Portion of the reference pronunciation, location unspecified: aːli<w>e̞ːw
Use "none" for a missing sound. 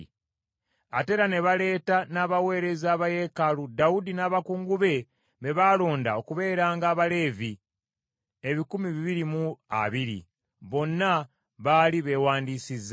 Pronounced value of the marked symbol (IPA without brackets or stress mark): β